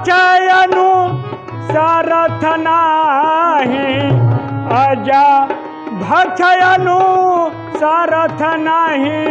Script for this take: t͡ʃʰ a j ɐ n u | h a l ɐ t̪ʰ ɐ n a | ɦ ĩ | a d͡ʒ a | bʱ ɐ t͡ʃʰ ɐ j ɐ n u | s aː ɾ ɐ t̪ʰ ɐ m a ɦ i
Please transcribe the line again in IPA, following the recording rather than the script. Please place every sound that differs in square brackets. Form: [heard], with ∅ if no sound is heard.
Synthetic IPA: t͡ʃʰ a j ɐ n u | [s] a [ɾ] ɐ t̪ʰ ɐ n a | ɦ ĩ | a d͡ʒ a | bʱ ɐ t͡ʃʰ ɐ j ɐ n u | s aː ɾ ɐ t̪ʰ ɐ [n] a ɦ i